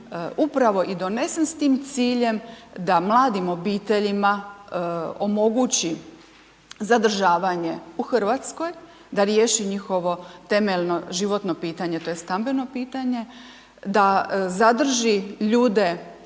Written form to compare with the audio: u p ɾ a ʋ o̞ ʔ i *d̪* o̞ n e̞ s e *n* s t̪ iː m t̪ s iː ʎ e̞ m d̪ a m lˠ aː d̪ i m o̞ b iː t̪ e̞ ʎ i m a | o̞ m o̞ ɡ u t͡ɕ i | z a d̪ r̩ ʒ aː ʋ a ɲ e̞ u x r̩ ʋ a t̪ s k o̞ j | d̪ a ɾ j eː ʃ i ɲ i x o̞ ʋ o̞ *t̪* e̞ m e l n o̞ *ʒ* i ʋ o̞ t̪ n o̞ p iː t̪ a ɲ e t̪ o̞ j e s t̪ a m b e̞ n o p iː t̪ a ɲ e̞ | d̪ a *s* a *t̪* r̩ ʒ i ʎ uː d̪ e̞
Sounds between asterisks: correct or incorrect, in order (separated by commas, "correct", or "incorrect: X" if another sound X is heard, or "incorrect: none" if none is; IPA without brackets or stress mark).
correct, correct, correct, correct, incorrect: z, incorrect: d̪